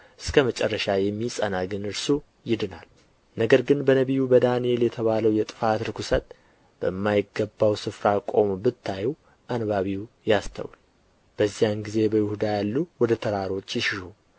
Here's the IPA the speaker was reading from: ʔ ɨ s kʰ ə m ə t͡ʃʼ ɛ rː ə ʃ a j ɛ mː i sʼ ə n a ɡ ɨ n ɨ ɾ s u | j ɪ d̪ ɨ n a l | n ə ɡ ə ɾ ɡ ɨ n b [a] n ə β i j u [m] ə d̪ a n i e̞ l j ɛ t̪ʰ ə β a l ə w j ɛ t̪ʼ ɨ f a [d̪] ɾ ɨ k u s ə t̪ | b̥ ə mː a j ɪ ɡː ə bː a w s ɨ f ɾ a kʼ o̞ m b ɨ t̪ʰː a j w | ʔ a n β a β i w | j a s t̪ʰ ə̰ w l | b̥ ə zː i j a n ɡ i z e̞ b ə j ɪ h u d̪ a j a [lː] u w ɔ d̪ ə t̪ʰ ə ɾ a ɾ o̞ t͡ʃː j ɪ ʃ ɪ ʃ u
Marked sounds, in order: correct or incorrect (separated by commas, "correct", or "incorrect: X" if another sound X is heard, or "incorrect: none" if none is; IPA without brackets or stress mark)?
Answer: incorrect: ə, incorrect: b, incorrect: t̪, correct